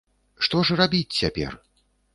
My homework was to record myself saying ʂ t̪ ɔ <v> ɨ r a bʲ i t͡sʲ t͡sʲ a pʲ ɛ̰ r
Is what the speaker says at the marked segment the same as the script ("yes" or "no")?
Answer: no